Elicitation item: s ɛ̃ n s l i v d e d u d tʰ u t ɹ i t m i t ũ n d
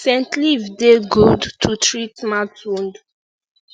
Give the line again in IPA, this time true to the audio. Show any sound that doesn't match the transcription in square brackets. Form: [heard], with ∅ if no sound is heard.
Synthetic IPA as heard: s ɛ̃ n [t] l i v d e [ɡ] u d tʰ u t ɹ i t m [a] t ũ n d